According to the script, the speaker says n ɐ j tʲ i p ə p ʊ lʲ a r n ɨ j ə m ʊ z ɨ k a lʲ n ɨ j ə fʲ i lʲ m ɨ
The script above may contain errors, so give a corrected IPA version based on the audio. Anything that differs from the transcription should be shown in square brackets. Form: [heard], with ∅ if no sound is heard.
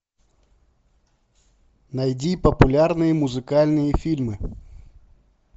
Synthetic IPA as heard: n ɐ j [dʲ] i p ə p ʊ lʲ a r n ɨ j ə m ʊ z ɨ k a lʲ n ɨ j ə fʲ i lʲ m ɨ